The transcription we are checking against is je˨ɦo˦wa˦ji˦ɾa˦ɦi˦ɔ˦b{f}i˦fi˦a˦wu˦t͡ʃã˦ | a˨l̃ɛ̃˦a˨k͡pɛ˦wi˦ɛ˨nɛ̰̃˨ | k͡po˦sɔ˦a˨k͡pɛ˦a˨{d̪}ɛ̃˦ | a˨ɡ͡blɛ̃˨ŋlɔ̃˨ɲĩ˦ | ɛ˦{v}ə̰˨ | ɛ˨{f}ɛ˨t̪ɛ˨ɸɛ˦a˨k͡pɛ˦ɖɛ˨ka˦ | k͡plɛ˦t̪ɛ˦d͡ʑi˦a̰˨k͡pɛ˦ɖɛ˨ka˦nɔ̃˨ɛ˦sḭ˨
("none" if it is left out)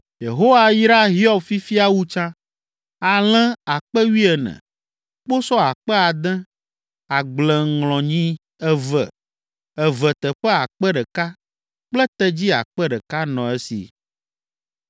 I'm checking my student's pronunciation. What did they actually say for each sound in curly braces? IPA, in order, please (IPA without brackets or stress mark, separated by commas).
f, d̪, v, v